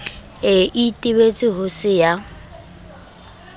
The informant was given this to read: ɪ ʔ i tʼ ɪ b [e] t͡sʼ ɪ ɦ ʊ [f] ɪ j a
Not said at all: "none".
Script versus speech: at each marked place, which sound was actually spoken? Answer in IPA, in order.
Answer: e, s

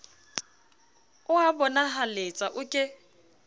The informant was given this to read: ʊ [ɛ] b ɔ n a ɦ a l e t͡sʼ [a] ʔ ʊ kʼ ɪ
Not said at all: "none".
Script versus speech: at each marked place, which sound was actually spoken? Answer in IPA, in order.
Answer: a, a

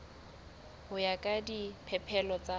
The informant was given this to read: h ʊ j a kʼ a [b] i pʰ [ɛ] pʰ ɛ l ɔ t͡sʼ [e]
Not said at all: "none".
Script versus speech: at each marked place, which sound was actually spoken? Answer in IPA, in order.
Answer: d, ɛ, a

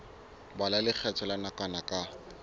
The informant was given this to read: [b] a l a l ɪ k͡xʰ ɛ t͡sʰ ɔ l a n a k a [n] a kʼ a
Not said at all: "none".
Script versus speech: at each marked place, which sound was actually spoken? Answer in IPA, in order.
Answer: b, n

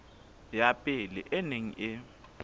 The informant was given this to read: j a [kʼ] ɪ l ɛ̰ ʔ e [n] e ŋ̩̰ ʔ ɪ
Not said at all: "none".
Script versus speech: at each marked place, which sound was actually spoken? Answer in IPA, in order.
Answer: pʼ, n

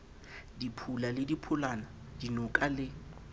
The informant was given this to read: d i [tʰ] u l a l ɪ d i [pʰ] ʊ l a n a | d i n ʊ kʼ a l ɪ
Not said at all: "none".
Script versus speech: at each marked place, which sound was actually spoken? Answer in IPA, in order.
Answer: pʰ, pʰ

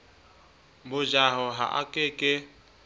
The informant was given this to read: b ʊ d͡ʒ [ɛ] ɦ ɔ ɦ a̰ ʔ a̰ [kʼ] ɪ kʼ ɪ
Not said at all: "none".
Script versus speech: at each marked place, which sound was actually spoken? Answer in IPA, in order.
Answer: a, kʼ

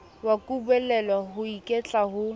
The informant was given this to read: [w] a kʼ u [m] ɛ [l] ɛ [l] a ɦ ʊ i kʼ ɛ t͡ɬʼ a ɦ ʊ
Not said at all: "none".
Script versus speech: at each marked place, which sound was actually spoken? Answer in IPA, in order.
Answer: w, b, l, l

